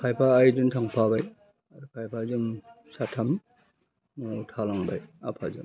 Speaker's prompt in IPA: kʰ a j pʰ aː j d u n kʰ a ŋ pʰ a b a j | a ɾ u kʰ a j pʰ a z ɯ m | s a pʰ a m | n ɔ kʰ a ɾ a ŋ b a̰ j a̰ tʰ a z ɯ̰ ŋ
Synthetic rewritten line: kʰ a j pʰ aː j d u n tʰ a ŋ pʰ a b a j | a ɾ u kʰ a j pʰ a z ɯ m | s a tʰ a m | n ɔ tʰ a l a ŋ b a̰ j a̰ pʰ a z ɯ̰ m